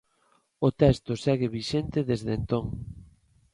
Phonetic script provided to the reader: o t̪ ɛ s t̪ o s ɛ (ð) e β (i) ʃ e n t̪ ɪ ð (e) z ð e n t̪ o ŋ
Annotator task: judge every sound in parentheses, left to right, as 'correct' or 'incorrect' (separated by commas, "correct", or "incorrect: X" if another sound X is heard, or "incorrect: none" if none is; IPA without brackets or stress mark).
incorrect: ɣ, correct, correct